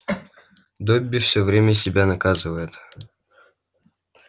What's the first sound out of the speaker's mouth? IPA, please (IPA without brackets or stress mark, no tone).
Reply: d̪